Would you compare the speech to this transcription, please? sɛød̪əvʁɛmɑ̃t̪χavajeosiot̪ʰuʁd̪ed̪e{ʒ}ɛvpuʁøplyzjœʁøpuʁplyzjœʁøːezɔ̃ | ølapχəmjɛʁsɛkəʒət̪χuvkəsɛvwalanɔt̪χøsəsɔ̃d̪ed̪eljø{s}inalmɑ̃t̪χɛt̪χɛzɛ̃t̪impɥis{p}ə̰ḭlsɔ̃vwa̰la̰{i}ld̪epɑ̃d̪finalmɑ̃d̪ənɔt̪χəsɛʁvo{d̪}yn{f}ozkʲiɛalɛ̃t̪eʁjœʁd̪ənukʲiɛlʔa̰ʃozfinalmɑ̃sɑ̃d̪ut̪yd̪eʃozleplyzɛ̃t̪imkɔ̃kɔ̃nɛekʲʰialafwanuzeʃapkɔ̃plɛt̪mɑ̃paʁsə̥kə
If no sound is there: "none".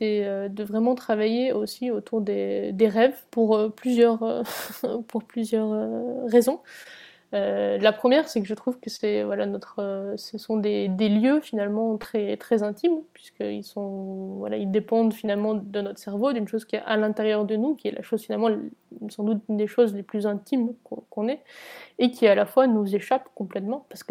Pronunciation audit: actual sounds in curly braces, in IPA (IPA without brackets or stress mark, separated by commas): ʁ, f, k, i, d̪, ʃ